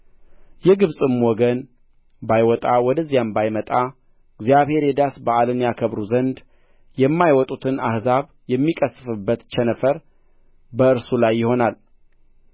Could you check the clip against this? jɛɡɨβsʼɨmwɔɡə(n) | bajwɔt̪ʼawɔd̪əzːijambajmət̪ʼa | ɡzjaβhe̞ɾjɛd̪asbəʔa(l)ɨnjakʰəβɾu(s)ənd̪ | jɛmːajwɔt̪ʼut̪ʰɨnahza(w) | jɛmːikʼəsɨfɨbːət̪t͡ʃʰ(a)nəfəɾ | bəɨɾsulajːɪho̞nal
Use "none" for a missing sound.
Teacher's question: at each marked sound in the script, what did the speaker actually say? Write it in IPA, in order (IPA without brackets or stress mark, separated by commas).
n, l, z, β, ɛ